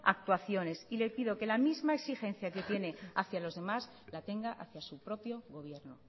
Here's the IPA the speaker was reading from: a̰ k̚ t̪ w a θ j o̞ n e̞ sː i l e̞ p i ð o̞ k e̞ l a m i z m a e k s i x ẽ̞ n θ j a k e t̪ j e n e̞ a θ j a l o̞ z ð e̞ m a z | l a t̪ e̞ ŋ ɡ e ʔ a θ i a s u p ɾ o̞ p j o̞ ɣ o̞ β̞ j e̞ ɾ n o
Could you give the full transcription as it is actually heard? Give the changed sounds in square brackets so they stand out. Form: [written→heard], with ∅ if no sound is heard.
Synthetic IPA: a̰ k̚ t̪ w a θ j o̞ n e̞ [sː→s] i l e̞ p i ð o̞ k e̞ l a m i z m a e k s i x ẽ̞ n θ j a k e t̪ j e n e̞ a θ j a l o̞ z ð e̞ m a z | l a t̪ e̞ ŋ ɡ [e→a] ʔ a θ [i→j] a s u p ɾ o̞ p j o̞ ɣ o̞ β̞ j e̞ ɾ n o